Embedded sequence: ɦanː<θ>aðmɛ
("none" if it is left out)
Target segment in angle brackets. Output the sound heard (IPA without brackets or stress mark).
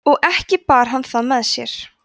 θ